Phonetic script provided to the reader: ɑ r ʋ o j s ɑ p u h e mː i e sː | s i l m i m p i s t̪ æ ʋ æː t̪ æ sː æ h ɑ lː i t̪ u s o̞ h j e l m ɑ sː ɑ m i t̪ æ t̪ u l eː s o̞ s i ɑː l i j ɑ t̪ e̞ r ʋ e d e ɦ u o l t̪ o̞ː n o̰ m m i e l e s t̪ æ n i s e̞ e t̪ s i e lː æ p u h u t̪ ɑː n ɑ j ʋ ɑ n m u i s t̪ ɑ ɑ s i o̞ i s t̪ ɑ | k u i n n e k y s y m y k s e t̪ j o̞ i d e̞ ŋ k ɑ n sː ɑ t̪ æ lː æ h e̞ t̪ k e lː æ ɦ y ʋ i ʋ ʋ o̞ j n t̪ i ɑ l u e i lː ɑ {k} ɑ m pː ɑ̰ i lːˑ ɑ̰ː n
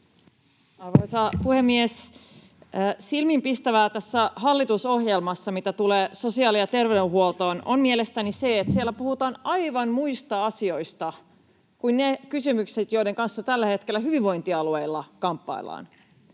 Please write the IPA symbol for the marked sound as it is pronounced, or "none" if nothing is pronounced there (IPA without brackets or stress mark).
k